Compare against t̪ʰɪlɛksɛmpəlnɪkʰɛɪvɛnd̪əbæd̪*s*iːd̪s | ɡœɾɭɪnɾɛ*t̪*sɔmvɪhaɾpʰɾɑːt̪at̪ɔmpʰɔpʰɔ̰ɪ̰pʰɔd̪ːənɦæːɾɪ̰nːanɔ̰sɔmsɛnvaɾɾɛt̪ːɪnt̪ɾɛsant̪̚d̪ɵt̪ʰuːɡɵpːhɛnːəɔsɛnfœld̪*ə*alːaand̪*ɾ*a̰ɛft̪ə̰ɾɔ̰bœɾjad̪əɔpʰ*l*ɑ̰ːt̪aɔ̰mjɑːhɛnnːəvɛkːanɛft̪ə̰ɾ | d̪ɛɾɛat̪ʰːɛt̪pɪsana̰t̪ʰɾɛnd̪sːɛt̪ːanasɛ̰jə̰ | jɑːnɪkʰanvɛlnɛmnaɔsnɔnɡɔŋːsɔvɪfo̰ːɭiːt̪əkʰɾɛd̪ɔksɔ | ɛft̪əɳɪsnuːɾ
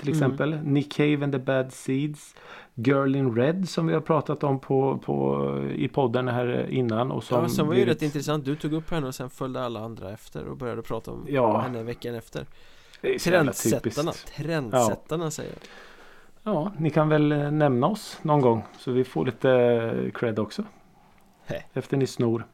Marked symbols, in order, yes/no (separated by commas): yes, no, yes, yes, no